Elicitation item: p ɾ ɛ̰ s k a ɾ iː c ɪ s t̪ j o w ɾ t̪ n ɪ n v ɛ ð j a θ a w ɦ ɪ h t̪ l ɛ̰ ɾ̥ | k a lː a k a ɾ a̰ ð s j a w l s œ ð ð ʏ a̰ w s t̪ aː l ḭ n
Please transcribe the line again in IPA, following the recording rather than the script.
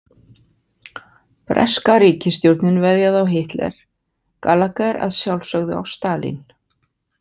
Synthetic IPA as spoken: p ɾ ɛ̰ s k a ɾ iː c ɪ s t̪ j o w ɾ t̪ n ɪ n v ɛ ð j a ð a w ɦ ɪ h t̪ l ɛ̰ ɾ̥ | k a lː a k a ɾ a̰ ð s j a w l s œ ɣ ð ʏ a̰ w s t̪ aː l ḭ n